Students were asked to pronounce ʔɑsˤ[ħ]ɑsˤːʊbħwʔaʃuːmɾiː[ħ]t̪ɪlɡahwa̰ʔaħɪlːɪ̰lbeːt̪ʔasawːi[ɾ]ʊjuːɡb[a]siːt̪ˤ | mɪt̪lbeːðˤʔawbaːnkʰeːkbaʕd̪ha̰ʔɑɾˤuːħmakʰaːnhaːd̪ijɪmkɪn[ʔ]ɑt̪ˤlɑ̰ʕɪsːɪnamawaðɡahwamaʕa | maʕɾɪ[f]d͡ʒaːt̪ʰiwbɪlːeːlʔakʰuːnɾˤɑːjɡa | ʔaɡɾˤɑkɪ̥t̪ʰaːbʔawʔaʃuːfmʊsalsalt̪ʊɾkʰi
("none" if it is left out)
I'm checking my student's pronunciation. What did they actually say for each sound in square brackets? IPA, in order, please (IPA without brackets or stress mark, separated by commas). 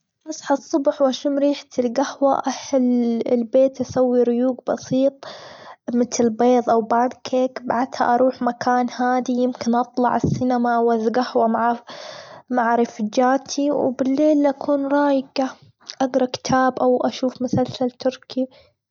ħ, ħ, ɾ, ɑ, ʔ, f